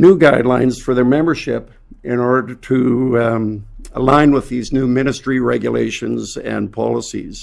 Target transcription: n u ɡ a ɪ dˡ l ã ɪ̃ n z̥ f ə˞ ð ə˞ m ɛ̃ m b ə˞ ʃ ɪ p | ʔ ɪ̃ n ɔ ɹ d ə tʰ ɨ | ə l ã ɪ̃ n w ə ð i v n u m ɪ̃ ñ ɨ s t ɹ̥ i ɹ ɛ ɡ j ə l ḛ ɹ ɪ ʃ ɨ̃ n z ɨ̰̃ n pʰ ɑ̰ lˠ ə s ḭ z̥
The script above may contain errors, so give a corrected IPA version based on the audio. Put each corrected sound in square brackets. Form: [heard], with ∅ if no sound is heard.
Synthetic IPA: n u ɡ a ɪ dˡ l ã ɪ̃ n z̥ f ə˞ ð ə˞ m ɛ̃ m b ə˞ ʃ ɪ p | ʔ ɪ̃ n ɔ ɹ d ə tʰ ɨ | ə l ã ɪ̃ n w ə ð i [z] n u m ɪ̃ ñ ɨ s t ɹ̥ i ɹ ɛ ɡ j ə l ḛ [∅] ɪ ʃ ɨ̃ n z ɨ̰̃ n pʰ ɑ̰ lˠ ə s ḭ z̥